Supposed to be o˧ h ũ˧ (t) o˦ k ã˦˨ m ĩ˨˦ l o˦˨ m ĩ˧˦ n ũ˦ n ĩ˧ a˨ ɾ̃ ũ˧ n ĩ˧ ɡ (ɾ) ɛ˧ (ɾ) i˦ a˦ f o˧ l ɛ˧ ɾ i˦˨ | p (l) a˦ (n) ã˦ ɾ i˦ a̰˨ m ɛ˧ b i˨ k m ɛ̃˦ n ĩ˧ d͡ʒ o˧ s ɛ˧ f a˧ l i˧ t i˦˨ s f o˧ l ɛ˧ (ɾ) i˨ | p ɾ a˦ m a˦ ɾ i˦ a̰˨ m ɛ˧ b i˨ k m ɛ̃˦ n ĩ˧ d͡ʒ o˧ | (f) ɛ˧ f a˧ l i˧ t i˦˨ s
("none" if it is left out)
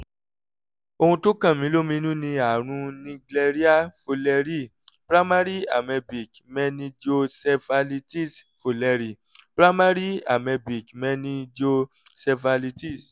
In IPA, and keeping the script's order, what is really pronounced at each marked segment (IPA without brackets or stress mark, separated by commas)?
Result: t, l, ɾ, ɾ, m, ɾ, s